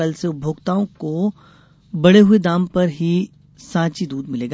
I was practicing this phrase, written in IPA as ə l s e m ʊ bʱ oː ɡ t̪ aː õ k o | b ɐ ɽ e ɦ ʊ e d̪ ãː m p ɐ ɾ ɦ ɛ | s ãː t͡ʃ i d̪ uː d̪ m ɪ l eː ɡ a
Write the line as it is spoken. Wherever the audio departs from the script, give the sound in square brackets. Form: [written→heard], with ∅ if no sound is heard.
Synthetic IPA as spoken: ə l s e [m→∅] ʊ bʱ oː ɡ t̪ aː õ k o | b ɐ ɽ e ɦ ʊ e d̪ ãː m p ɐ ɾ ɦ [ɛ→i] | s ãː t͡ʃ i d̪ uː d̪ m ɪ l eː ɡ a